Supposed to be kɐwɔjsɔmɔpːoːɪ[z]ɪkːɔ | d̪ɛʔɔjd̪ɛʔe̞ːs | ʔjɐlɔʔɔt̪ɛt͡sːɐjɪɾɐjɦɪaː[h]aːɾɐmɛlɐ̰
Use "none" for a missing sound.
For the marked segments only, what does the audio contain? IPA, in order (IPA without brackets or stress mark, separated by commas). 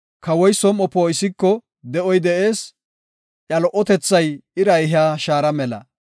s, ʃ